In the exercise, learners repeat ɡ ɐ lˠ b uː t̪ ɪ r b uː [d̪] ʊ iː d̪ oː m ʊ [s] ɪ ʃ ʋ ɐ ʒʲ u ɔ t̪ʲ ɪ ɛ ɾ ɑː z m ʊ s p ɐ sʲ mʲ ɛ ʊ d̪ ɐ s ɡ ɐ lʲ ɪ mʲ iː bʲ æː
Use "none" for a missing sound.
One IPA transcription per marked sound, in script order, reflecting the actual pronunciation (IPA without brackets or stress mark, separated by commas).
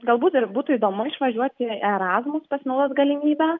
t̪, none